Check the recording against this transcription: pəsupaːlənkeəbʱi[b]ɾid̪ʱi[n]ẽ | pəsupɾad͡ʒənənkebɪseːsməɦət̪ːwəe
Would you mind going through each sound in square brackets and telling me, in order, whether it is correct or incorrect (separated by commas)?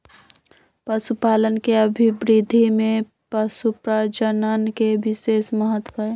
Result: correct, incorrect